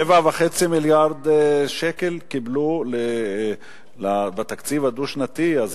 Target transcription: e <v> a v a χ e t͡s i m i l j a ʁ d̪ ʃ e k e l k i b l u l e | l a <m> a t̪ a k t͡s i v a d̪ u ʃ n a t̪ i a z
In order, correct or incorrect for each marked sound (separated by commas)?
correct, incorrect